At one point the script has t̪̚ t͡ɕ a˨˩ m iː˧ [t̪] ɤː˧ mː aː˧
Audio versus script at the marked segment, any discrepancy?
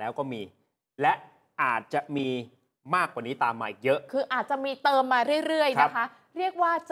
no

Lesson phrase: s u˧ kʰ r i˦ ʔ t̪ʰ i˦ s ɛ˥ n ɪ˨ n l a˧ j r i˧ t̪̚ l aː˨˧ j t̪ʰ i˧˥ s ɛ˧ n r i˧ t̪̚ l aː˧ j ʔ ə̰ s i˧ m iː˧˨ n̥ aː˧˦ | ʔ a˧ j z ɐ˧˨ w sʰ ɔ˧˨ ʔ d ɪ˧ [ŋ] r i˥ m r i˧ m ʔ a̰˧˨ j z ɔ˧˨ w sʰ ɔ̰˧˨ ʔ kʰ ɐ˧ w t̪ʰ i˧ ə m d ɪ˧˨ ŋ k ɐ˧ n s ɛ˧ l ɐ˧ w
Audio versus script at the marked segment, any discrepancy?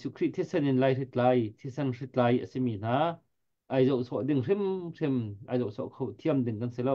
no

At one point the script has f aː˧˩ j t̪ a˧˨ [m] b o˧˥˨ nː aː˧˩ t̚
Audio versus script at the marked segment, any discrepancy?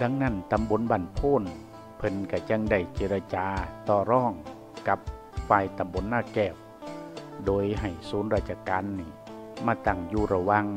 no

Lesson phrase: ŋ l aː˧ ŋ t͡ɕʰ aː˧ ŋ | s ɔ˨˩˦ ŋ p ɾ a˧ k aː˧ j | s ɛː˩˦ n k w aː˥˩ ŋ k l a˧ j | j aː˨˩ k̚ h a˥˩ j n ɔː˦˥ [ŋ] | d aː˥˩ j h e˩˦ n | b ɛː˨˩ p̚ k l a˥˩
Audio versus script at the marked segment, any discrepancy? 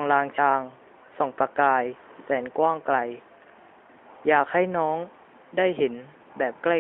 no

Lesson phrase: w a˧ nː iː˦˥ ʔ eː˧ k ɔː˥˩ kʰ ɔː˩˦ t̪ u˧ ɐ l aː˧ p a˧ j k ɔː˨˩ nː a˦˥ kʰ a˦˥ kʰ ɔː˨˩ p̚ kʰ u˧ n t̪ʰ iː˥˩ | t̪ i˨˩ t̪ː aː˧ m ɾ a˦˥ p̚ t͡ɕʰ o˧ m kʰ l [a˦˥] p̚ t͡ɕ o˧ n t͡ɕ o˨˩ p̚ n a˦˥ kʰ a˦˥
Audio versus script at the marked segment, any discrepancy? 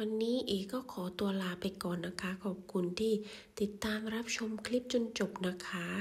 yes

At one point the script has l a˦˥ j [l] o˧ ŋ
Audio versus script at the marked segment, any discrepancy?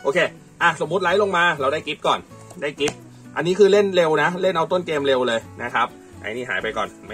no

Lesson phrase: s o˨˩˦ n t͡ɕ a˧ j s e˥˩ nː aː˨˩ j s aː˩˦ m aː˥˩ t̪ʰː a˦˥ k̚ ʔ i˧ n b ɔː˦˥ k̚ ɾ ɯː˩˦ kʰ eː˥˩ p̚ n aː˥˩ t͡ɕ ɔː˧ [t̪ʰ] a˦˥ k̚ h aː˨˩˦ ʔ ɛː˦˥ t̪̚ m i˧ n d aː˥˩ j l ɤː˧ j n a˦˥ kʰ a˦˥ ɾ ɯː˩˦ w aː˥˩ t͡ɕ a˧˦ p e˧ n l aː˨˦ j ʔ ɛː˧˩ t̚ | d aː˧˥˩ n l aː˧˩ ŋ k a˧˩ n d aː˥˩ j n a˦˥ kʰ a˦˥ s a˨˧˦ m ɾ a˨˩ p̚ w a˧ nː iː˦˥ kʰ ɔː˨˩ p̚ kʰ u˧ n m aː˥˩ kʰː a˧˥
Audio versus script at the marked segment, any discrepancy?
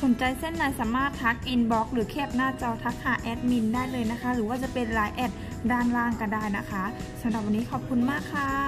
no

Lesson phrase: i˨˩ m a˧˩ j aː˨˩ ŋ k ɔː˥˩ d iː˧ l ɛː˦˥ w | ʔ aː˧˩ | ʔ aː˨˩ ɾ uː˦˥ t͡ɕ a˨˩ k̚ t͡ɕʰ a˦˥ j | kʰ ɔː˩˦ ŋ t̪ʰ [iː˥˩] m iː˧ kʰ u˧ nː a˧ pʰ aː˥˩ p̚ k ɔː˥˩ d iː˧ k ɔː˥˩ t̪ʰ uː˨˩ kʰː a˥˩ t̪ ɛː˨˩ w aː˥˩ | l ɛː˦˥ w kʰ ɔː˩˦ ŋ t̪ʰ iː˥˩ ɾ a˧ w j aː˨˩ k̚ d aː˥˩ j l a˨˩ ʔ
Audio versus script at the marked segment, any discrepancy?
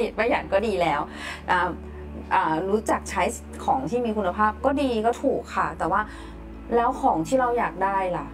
no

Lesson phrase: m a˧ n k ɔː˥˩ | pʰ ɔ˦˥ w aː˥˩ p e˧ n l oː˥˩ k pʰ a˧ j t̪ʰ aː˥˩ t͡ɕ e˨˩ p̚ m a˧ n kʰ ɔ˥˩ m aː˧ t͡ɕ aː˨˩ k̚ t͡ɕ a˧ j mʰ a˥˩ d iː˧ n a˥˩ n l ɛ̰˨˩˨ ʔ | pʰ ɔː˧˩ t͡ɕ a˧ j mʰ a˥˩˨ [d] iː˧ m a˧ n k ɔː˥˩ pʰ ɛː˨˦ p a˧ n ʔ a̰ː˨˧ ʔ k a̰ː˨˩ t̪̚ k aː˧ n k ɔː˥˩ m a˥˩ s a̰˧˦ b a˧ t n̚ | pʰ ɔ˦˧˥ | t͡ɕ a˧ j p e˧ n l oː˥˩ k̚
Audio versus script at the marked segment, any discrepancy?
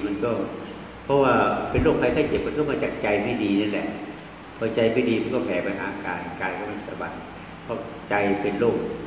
no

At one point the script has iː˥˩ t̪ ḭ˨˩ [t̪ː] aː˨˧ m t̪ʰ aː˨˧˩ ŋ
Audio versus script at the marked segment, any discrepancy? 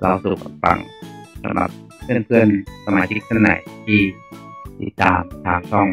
no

